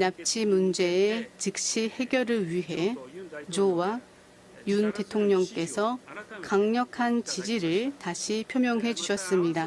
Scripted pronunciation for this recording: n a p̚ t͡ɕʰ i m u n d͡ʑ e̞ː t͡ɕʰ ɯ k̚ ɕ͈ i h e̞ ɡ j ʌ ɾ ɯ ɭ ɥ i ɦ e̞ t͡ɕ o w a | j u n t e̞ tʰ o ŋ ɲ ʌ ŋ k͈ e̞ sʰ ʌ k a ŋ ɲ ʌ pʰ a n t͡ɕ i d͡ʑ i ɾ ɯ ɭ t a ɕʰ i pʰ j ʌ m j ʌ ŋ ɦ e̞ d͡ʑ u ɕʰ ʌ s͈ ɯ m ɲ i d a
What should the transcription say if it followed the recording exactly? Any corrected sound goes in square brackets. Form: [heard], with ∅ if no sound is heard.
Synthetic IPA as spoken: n a p̚ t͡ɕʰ i m u n d͡ʑ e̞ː [t͡ɕ] ɯ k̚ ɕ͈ i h e̞ ɡ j ʌ ɾ ɯ ɭ ɥ i ɦ e̞ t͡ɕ o w a | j u n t e̞ tʰ o ŋ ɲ ʌ ŋ k͈ e̞ sʰ ʌ k a ŋ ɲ ʌ [kʰ] a n t͡ɕ i d͡ʑ i ɾ ɯ ɭ t a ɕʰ i pʰ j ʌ m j ʌ ŋ ɦ e̞ d͡ʑ u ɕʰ ʌ s͈ ɯ m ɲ i d a